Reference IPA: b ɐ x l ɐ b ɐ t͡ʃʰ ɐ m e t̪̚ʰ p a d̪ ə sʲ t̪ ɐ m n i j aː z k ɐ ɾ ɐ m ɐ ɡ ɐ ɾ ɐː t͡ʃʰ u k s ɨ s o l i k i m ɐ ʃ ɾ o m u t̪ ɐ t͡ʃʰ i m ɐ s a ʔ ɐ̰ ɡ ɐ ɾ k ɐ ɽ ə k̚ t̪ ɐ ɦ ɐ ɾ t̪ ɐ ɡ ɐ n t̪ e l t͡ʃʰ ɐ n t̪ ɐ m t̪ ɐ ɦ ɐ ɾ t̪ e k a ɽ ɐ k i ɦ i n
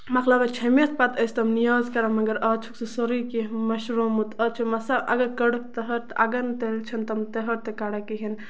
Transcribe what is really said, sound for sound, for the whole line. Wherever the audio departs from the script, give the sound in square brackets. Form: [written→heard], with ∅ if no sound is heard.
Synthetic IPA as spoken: [b→m] ɐ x l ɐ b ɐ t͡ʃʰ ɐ m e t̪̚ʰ p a [d̪→t̪] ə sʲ t̪ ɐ m n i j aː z k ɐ ɾ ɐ m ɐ ɡ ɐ ɾ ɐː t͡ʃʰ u k s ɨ s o [l→ɾ] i k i m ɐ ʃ ɾ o m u t̪ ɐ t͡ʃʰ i m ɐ s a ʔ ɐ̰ ɡ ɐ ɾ k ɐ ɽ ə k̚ t̪ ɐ ɦ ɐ ɾ t̪ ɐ ɡ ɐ n t̪ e l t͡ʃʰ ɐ n t̪ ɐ m t̪ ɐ ɦ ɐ ɾ t̪ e k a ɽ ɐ k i ɦ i n